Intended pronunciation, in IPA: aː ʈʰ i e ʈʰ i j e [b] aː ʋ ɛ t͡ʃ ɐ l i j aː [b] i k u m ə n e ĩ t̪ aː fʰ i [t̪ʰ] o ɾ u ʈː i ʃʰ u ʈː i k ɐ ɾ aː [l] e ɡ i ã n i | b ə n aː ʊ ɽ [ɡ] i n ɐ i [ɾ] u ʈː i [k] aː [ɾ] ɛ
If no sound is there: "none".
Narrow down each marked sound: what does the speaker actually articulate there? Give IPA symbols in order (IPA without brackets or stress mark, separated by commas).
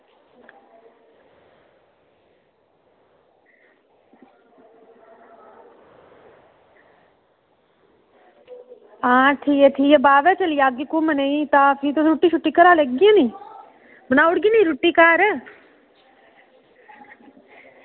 b, ɡ, t̪, l, ɡ, ɾ, k, ɾ